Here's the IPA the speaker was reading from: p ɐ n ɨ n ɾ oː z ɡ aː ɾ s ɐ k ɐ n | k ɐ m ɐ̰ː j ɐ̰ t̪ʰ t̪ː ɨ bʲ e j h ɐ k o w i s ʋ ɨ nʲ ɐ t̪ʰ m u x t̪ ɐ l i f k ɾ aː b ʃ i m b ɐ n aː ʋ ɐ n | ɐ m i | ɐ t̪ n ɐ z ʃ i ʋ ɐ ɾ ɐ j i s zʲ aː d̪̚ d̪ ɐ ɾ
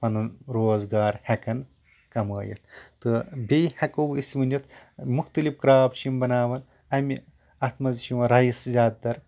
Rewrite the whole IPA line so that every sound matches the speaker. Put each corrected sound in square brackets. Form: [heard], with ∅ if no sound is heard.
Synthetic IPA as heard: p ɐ n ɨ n ɾ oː z ɡ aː ɾ [h] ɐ k ɐ n | k ɐ m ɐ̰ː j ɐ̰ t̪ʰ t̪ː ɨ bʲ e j h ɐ k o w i s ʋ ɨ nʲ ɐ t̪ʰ m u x t̪ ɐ l i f k ɾ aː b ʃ i m b ɐ n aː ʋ ɐ n | ɐ m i | ɐ t̪ [m] ɐ z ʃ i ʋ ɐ ɾ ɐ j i s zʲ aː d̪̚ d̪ ɐ ɾ